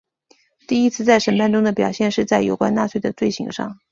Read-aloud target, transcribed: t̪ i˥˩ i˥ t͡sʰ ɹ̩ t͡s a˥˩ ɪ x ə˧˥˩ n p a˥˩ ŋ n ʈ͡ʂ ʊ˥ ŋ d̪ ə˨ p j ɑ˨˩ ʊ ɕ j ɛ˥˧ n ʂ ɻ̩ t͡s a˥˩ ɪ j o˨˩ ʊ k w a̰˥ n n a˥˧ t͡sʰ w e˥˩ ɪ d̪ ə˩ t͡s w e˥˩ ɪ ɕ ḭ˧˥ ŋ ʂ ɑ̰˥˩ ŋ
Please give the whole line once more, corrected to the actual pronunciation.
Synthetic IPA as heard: t̪ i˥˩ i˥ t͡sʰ ɹ̩ t͡s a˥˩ ɪ ʂ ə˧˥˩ n p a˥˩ n ʈ͡ʂ ʊ˥ ŋ d̪ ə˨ p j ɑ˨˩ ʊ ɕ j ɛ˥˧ n ʂ ɻ̩ t͡s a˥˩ ɪ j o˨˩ ʊ k w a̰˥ n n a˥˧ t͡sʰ w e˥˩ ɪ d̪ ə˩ t͡s w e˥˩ ɪ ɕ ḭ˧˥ ŋ ʂ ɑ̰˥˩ ŋ